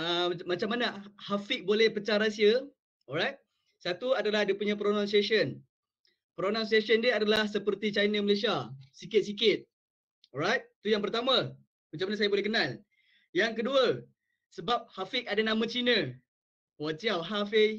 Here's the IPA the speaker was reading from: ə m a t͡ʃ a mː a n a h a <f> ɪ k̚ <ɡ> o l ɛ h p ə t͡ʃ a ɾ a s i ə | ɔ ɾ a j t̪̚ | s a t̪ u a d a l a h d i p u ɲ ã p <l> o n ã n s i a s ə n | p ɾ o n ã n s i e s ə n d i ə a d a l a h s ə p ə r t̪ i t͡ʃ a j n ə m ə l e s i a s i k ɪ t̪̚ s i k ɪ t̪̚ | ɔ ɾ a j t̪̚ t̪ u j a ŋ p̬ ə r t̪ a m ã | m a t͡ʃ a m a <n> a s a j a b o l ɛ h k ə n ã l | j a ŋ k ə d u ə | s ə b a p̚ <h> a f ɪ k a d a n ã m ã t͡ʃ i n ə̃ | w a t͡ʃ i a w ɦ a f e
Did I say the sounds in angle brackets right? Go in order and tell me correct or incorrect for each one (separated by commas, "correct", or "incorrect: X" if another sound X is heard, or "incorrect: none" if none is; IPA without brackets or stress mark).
correct, incorrect: b, incorrect: ɾ, correct, correct